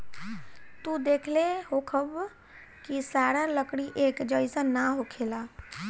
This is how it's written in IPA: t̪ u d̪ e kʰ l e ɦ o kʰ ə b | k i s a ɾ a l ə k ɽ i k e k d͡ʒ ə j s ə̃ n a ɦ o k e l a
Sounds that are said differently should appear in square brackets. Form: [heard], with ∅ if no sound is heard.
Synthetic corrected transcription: t̪ u d̪ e kʰ l e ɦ o kʰ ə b | k i s a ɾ a l ə k ɽ i [ʔ] e k d͡ʒ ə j s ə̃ n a ɦ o [kʰ] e l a